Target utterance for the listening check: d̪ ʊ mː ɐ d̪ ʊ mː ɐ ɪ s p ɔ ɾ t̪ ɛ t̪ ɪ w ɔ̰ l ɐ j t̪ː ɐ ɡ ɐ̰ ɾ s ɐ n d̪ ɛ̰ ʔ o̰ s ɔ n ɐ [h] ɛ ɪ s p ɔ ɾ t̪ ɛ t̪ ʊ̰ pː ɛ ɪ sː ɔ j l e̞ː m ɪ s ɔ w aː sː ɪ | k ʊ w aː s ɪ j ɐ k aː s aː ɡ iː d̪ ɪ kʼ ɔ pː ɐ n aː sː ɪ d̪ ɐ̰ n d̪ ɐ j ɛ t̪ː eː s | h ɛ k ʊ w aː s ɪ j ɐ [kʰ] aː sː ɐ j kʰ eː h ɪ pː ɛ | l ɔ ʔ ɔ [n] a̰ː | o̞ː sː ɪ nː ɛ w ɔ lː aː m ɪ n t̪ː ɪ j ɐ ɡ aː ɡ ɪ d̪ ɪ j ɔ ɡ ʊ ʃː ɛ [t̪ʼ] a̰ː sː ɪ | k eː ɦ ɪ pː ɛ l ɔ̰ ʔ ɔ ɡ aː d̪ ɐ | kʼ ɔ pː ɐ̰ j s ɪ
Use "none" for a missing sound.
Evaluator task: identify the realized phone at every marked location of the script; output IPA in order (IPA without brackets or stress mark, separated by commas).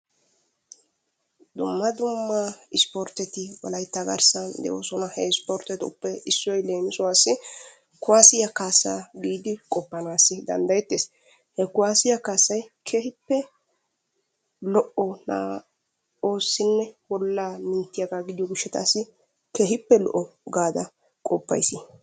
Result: h, k, n, t̪